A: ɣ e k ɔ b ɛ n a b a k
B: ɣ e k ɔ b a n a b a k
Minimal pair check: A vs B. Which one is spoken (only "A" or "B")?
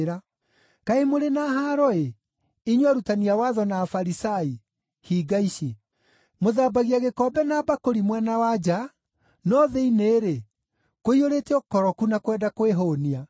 A